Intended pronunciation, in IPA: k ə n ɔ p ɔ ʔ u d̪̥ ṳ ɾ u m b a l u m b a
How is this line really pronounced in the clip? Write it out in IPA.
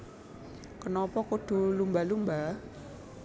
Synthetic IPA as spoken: k ə n ɔ p ɔ k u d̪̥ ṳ l u m b a l u m b a